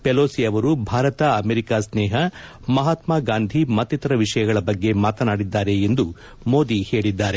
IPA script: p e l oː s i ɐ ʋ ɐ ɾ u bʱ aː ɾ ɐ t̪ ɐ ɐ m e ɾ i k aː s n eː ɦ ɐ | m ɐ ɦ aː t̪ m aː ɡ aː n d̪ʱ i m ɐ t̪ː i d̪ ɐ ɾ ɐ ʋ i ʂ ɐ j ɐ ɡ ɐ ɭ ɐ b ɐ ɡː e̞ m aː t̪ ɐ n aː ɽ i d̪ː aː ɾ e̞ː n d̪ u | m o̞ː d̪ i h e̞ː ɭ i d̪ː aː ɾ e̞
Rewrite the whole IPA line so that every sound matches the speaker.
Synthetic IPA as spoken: p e l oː s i ɐ ʋ ɐ ɾ u bʱ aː ɾ ɐ t̪ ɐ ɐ m e ɾ i k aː s n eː ɦ ɐ | m ɐ ɦ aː t̪ m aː ɡ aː n d̪ʱ i m ɐ t̪ː i t̪ ɐ ɾ ɐ ʋ i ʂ ɐ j ɐ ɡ ɐ ɭ ɐ b ɐ ɡː e̞ m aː t̪ ɐ n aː ɽ i d̪ː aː ɾ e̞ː n d̪ u | m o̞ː d̪ i h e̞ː ɭ i d̪ː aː ɾ e̞